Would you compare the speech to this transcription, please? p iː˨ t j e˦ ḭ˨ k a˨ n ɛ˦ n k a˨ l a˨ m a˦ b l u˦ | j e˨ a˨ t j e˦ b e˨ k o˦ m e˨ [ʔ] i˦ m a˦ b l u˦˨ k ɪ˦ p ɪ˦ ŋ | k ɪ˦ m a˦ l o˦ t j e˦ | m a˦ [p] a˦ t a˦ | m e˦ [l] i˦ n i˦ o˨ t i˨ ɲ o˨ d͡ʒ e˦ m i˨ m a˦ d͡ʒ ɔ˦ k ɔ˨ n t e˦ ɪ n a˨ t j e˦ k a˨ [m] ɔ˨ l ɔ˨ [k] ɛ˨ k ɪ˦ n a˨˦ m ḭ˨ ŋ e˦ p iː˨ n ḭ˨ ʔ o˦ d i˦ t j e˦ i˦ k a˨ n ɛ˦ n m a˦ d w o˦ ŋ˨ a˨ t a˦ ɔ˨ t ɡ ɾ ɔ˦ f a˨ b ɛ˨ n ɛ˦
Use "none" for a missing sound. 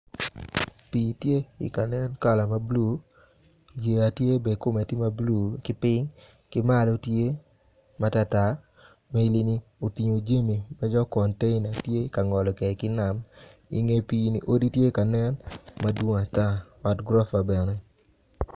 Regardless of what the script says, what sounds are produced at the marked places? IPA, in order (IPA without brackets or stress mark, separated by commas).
t, t, l, ŋ, k